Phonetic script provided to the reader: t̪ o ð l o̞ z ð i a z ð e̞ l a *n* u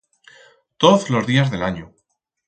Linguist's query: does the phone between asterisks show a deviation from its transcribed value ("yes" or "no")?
yes